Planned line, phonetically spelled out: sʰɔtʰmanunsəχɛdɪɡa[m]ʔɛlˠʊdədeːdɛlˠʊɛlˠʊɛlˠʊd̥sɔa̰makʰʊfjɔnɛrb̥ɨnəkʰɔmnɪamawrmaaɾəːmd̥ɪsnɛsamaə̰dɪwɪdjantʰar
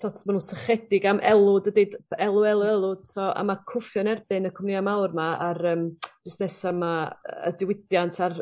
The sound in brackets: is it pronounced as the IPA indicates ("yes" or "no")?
yes